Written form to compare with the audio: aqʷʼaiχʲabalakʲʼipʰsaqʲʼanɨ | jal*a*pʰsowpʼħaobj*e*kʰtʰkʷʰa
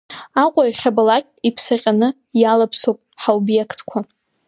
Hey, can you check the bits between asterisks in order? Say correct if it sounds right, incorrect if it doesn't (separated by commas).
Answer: correct, correct